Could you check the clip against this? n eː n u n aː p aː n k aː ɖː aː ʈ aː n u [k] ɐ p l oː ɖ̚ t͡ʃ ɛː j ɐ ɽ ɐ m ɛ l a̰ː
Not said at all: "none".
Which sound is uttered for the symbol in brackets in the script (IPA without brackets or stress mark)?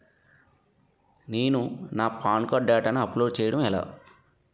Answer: none